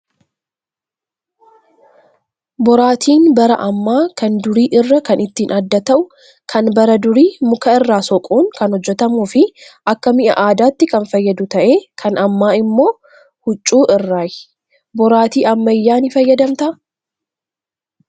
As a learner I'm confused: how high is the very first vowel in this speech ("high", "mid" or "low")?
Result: mid